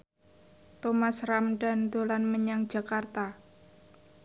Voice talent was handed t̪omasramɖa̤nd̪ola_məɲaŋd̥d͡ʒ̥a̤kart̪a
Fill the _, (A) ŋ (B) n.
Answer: B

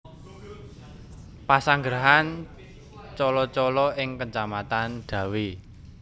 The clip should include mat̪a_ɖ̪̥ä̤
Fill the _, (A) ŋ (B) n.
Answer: B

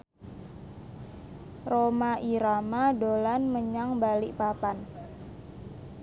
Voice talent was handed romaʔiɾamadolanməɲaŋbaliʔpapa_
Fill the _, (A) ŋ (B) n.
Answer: B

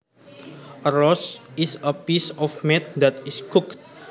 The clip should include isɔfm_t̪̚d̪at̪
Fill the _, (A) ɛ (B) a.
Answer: A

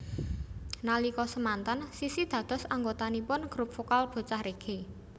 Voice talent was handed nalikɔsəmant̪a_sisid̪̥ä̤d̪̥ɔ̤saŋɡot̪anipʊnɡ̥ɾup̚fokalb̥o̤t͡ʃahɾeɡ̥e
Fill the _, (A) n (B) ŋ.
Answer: A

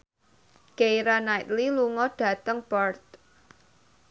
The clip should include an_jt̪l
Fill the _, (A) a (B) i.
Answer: A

